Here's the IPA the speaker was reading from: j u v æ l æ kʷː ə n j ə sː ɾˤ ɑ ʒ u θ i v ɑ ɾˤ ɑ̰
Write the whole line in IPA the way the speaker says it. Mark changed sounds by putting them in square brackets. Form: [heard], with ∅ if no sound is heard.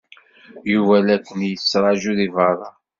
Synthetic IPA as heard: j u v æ l æ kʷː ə n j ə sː ɾˤ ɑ ʒ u [ð] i v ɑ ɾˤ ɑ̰